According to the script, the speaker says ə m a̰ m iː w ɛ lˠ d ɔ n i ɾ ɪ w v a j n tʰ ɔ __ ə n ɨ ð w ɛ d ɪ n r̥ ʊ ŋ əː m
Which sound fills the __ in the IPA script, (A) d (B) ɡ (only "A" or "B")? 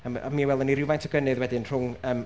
B